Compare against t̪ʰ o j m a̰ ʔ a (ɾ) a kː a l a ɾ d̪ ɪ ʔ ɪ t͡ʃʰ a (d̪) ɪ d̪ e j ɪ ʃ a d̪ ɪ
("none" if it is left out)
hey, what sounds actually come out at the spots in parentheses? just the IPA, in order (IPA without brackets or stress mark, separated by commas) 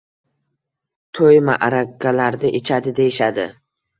ɾ, d̪